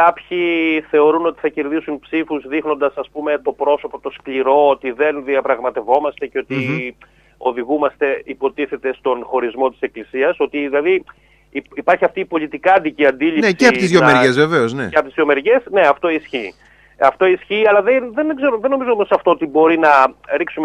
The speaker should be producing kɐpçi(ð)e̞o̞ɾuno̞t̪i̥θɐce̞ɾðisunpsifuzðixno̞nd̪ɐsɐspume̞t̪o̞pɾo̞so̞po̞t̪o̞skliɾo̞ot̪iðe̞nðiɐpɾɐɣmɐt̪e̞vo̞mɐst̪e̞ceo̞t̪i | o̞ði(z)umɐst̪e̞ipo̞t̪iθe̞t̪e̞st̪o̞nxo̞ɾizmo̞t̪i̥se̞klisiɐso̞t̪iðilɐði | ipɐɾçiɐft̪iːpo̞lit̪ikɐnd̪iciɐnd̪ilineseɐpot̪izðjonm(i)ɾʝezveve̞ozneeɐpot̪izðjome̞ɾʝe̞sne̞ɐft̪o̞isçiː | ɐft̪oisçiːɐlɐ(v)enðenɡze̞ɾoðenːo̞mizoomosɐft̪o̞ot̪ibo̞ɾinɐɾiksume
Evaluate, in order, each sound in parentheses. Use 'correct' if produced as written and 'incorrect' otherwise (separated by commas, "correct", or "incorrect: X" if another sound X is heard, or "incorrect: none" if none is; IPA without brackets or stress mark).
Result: incorrect: θ, incorrect: ɣ, incorrect: e, incorrect: ð